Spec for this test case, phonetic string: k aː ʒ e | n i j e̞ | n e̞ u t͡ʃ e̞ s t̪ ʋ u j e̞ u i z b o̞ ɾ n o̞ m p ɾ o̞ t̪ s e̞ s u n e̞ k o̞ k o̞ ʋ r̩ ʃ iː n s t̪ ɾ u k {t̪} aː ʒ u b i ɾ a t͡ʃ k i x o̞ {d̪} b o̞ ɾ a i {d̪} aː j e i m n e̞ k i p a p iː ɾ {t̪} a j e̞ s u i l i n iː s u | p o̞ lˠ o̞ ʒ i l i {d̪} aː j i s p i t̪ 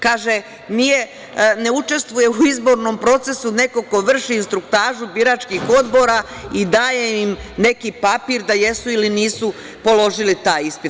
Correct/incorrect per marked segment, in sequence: correct, correct, correct, incorrect, incorrect

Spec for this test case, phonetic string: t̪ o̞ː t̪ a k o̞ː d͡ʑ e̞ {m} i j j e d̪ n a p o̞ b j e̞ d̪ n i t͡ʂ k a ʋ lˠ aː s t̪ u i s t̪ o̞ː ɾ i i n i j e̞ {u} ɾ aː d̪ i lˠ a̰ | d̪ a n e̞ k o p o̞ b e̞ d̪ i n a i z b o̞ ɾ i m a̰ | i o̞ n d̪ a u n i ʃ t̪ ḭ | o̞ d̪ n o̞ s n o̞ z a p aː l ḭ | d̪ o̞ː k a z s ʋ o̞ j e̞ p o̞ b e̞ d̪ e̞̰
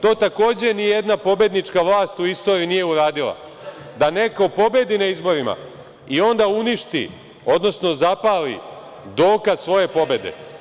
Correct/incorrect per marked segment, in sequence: incorrect, correct

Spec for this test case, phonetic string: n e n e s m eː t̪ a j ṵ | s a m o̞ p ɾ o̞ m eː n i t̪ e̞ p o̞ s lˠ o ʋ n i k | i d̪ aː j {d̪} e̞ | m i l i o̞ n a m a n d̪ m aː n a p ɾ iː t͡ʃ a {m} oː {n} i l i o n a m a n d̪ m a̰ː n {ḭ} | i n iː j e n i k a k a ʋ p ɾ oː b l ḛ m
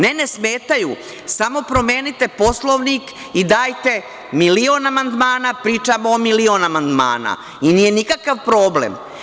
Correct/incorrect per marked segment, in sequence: incorrect, correct, incorrect, incorrect

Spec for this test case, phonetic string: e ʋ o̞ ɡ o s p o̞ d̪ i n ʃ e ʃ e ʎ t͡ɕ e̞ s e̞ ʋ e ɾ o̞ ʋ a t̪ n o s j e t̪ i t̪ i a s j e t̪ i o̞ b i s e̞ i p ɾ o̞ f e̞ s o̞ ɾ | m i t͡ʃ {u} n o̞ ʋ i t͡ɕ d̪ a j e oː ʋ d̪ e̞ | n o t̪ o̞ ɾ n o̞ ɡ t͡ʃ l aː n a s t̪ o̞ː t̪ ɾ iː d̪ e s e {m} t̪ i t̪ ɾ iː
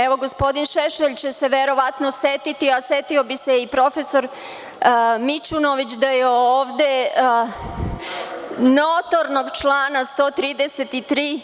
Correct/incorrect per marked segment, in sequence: correct, incorrect

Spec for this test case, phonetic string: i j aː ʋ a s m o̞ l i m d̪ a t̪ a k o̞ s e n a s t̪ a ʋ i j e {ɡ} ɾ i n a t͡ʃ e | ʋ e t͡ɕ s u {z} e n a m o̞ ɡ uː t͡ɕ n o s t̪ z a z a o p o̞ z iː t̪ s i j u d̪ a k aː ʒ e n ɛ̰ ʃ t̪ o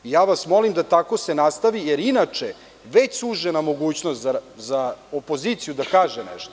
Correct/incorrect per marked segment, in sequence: incorrect, incorrect

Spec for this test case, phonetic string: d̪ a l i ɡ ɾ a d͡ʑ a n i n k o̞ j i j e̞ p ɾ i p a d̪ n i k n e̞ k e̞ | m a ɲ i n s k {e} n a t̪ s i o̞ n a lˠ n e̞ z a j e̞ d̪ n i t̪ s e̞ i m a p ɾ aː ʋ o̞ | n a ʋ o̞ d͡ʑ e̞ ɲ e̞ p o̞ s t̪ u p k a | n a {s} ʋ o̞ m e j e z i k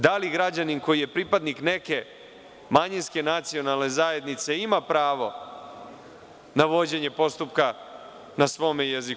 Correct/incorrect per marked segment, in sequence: correct, correct

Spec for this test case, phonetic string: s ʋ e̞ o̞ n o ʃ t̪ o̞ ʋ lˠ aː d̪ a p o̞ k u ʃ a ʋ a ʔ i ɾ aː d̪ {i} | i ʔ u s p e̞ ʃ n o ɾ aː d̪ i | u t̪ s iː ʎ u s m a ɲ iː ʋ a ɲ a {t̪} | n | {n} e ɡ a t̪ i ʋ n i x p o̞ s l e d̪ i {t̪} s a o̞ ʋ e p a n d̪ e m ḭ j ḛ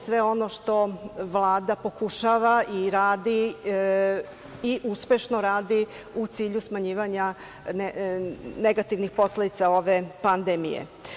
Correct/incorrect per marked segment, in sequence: correct, incorrect, correct, correct

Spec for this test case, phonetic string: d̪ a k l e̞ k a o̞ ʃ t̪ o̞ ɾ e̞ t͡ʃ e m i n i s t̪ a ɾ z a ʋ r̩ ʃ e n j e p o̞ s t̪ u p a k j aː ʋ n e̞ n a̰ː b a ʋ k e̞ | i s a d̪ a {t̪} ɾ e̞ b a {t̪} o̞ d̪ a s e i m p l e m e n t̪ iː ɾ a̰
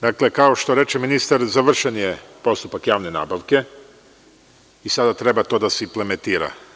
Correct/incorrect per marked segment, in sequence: correct, correct

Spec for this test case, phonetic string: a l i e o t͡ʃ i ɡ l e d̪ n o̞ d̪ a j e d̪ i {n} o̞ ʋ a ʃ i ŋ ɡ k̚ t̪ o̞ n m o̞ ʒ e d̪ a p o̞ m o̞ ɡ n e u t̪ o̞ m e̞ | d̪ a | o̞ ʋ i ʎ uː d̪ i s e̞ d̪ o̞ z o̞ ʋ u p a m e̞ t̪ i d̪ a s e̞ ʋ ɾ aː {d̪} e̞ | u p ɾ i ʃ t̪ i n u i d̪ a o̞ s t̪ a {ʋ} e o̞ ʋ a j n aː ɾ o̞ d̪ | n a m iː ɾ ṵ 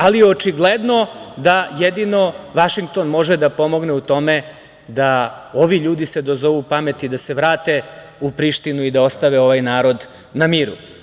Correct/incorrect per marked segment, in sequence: correct, incorrect, correct

